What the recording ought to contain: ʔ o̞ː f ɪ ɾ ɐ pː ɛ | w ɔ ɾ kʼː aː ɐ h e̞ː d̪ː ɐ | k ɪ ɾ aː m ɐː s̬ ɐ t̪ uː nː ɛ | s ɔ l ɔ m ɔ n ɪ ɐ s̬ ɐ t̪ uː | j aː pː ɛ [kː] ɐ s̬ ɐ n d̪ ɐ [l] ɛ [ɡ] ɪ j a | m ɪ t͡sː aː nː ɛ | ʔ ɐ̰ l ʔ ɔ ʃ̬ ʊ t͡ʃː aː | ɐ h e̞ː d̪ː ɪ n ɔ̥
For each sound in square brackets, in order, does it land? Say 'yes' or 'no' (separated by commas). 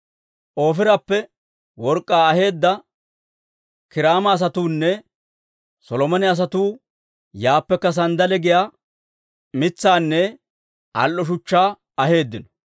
yes, yes, yes